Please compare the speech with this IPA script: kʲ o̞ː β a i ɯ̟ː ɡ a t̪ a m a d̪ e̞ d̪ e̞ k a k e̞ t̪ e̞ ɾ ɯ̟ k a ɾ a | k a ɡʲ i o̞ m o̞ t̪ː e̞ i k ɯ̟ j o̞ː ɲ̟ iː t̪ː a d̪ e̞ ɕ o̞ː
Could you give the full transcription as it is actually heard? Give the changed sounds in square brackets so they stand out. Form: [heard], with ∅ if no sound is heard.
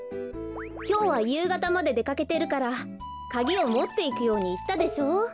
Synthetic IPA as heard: kʲ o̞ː β a [j] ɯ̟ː ɡ a t̪ a m a d̪ e̞ d̪ e̞ k a k e̞ t̪ e̞ ɾ ɯ̟ k a ɾ a | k a ɡʲ i o̞ m o̞ t̪ː e̞ i k ɯ̟ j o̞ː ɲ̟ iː t̪ː a d̪ e̞ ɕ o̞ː